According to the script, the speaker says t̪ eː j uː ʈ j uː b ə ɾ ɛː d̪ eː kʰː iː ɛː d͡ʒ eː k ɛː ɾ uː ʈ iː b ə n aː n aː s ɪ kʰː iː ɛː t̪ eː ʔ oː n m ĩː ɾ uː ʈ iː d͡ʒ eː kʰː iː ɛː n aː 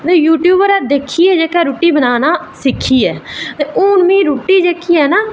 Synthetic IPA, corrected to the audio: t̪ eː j uː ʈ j uː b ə ɾ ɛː d̪ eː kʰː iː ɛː d͡ʒ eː k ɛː ɾ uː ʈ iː b ə n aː n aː s ɪ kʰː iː ɛː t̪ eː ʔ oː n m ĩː ɾ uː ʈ iː d͡ʒ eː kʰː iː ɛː n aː